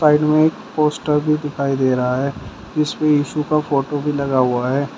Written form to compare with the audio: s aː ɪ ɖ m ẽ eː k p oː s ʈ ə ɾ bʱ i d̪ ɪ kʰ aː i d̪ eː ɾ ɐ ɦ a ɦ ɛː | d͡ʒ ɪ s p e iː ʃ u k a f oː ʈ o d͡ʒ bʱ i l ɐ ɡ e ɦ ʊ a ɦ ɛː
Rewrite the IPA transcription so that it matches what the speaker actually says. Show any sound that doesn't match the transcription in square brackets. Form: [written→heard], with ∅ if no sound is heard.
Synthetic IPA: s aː ɪ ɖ m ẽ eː k p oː s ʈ ə ɾ bʱ i d̪ ɪ kʰ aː i d̪ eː ɾ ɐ ɦ a ɦ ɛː | d͡ʒ ɪ s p e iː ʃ u k a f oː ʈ o [d͡ʒ→∅] bʱ i l ɐ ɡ [e→a] ɦ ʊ a ɦ ɛː

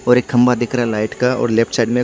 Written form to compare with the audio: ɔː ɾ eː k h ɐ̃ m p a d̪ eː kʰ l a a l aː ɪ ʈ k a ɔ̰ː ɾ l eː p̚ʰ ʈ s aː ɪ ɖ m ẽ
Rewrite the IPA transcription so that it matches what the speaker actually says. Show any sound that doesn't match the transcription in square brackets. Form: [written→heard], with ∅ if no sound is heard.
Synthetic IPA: ɔː ɾ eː k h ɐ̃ m [p→b] a d̪ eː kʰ [l→ɾ] a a l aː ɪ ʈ k a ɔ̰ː ɾ l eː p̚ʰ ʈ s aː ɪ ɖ m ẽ

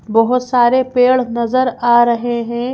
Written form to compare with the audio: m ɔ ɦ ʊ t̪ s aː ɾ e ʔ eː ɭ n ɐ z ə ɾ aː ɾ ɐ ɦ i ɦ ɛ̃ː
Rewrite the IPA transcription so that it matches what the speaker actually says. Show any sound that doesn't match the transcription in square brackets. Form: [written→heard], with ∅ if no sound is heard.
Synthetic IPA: [m→b] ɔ ɦ ʊ t̪ s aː ɾ e [ʔ→p] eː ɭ n ɐ z ə ɾ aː ɾ ɐ ɦ [i→e] ɦ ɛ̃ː

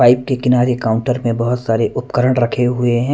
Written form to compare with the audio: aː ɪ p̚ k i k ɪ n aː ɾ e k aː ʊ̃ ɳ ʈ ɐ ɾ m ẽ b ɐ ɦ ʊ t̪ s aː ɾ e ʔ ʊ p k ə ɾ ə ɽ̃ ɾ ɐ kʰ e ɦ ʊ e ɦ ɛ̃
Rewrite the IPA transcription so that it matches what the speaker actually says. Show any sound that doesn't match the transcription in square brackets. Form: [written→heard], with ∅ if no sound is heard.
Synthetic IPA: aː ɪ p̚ k [i→e] k ɪ n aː ɾ e k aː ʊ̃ ɳ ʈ [ɐ→ə] ɾ m ẽ b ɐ ɦ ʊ t̪ s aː ɾ e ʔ ʊ p k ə ɾ ə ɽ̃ ɾ ɐ kʰ e ɦ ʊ e ɦ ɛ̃

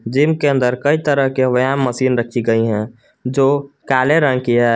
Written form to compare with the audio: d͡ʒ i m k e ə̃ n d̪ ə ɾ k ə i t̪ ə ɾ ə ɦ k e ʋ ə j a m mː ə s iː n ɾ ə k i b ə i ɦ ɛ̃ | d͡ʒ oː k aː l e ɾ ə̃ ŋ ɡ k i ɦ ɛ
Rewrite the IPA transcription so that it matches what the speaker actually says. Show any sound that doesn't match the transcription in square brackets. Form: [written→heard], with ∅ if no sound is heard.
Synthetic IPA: d͡ʒ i m k e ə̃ n d̪ ə ɾ k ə i t̪ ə ɾ ə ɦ k e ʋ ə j a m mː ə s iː n ɾ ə [k→kʰ] i [b→ɡ] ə i ɦ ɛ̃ | d͡ʒ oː k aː l e ɾ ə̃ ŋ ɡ k i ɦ ɛ

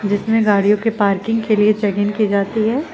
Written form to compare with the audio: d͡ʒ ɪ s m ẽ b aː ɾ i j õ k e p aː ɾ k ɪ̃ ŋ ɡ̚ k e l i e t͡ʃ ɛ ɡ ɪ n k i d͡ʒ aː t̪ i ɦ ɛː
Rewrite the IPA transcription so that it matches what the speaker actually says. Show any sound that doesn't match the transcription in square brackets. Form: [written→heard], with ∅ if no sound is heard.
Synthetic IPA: d͡ʒ ɪ s m ẽ [b→ɡ] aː [ɾ→ɽ] i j õ k e p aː ɾ k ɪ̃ ŋ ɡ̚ k e l i e t͡ʃ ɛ ɡ ɪ n k i d͡ʒ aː t̪ i ɦ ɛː

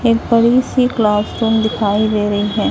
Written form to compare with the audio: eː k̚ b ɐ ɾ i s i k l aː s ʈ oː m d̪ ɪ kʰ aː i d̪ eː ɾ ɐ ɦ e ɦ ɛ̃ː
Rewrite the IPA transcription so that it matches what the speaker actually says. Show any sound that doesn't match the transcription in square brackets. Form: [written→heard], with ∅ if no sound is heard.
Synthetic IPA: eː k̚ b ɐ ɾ i s i k l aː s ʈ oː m d̪ ɪ kʰ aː i d̪ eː ɾ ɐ ɦ [e→i] ɦ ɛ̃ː

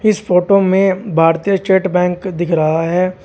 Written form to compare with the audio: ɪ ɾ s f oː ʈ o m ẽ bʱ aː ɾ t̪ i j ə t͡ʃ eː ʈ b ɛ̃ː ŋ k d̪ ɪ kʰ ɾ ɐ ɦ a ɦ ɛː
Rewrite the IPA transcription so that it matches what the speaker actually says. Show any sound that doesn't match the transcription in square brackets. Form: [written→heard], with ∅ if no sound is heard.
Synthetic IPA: ɪ [ɾ→∅] s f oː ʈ o m ẽ bʱ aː ɾ t̪ i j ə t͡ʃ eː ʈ b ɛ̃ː ŋ k d̪ ɪ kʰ ɾ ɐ ɦ a ɦ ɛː

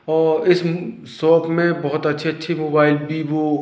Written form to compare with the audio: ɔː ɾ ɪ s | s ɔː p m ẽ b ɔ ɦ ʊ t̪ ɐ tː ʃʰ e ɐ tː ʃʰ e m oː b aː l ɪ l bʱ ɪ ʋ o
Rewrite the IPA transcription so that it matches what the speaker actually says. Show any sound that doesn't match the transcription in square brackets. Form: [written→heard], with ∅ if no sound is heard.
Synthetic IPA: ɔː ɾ ɪ s | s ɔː p m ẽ b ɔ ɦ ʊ t̪ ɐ tː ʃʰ e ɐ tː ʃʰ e m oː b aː [l→∅] ɪ l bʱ [ɪ→i] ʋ o

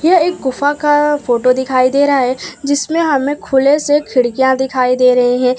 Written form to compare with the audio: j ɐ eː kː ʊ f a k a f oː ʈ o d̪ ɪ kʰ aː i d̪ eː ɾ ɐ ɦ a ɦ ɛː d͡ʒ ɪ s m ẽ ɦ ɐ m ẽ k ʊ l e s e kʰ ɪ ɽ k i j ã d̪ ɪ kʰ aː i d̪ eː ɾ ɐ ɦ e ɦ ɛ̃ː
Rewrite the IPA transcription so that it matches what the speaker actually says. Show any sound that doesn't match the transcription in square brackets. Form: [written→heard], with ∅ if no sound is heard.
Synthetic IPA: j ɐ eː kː ʊ f a k a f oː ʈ o d̪ ɪ kʰ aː i d̪ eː ɾ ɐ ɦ a ɦ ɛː d͡ʒ ɪ s m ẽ ɦ ɐ m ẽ [k→kʰ] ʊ l e s e kʰ ɪ ɽ k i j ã d̪ ɪ kʰ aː i d̪ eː ɾ ɐ ɦ e ɦ ɛ̃ː

